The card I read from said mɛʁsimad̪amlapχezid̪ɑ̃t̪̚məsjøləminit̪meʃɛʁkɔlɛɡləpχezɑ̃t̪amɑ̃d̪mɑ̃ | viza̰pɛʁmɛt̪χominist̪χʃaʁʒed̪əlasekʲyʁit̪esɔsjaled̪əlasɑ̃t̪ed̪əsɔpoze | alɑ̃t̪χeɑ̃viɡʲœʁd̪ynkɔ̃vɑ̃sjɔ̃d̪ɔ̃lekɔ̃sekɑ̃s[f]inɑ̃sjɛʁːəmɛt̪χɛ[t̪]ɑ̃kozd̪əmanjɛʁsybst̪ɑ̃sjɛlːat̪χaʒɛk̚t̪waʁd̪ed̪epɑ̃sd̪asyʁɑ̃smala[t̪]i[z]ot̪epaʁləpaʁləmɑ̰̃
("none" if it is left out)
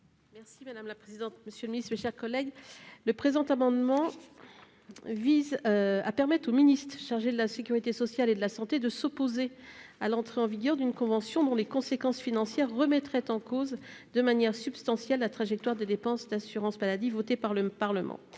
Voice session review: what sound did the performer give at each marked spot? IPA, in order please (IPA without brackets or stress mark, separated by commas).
f, t̪, d̪, v